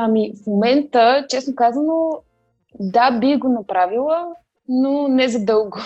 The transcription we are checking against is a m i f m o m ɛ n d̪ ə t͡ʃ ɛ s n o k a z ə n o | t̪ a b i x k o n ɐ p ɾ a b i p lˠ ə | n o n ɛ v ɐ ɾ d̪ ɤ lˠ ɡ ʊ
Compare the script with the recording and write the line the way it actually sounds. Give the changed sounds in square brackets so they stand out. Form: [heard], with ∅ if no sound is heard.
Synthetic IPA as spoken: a m i f m o m ɛ n [t̪] ə t͡ʃ ɛ s n o k a z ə n o | [d̪] a b i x [ɡ] o n ɐ p ɾ a [v] i [∅] lˠ ə | n o n ɛ [z] ɐ [∅] d̪ ɤ lˠ ɡ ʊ